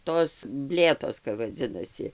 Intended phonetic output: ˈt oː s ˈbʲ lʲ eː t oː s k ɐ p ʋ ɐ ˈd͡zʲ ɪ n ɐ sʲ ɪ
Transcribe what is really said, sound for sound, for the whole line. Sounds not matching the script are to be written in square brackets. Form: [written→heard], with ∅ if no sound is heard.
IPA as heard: ˈt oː s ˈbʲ lʲ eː t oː s k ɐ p ʋ ɐ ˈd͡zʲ ɪ n ɐ sʲ ɪ